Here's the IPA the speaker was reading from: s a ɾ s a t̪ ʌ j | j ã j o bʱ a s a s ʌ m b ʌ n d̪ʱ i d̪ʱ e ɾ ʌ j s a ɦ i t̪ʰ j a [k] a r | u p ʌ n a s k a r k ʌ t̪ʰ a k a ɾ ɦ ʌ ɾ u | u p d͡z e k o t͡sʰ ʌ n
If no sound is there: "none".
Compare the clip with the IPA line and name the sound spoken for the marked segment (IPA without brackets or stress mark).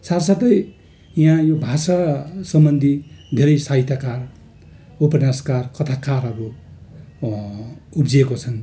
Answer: k